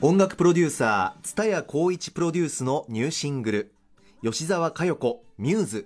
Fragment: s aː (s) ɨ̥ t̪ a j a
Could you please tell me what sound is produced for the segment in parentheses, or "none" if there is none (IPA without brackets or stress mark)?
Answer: t͡s